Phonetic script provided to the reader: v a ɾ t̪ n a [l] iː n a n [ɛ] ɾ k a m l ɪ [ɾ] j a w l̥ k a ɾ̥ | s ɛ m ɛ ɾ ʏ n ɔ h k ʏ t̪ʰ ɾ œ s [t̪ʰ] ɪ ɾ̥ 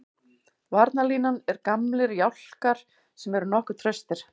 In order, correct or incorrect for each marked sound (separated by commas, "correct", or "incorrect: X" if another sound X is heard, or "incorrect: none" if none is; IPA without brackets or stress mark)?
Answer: correct, correct, correct, incorrect: t̪